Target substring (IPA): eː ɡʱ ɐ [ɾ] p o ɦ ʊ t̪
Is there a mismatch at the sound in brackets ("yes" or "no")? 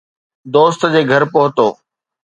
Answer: no